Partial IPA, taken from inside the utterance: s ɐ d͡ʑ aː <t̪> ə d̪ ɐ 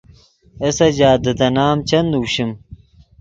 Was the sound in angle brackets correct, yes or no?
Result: no